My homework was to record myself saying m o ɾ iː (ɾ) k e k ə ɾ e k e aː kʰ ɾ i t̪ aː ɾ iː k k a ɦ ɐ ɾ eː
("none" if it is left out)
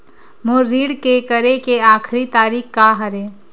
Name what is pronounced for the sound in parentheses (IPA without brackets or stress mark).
ɽ